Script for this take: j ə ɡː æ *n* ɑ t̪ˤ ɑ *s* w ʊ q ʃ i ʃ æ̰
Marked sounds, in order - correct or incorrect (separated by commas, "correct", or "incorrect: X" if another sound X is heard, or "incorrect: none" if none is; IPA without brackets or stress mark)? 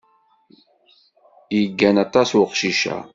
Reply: correct, correct